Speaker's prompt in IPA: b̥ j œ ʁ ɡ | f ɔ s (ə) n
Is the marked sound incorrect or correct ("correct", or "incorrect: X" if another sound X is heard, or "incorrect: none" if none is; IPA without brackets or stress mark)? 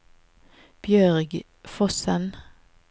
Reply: correct